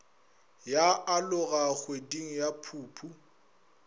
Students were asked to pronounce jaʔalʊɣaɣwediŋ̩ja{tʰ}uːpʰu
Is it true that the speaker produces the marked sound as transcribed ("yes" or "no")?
no